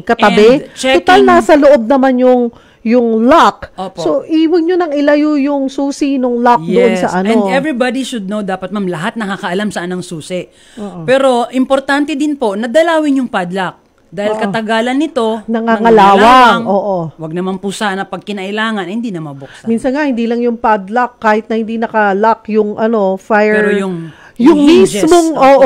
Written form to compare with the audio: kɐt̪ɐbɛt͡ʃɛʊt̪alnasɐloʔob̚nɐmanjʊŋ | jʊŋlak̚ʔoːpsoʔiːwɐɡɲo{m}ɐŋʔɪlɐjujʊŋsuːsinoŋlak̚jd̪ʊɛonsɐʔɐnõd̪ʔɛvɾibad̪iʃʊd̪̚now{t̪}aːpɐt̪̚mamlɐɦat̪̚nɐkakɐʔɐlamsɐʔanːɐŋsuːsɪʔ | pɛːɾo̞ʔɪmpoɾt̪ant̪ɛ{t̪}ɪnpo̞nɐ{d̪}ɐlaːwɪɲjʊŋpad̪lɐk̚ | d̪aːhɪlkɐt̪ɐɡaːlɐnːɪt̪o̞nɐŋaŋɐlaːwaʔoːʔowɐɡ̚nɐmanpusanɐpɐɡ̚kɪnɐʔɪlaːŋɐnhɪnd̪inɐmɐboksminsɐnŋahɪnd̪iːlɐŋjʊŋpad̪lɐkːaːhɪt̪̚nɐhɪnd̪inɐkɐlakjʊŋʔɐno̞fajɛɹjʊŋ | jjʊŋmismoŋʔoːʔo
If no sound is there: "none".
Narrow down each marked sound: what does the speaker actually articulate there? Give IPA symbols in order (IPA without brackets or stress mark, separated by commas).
n, d̪, d̪, d̪